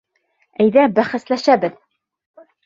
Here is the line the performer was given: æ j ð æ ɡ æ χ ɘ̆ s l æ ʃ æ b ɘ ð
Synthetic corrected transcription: æ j ð æ b æ χ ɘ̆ s l æ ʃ æ b ɘ ð